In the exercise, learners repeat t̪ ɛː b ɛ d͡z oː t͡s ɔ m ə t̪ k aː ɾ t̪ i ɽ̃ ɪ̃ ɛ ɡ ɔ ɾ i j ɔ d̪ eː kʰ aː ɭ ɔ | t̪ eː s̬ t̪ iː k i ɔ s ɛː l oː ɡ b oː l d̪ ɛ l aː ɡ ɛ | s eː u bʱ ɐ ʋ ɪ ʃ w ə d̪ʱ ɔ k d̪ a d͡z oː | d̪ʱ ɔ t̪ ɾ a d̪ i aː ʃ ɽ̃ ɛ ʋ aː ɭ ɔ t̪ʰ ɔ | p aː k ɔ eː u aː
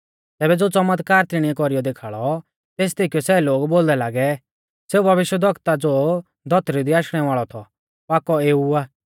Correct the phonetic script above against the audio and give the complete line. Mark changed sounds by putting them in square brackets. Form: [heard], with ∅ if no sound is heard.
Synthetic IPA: t̪ ɛː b ɛ d͡z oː t͡s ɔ m ə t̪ k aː ɾ t̪ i ɽ̃ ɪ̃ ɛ [k] ɔ ɾ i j ɔ d̪ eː kʰ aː ɭ ɔ | t̪ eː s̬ t̪ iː k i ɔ s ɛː l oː ɡ b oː l d̪ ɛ l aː ɡ ɛ | s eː u bʱ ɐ ʋ ɪ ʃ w ə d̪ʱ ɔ k [t̪] a d͡z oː | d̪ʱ ɔ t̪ ɾ [i] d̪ i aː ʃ ɽ̃ ɛ ʋ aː ɭ ɔ t̪ʰ ɔ | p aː k ɔ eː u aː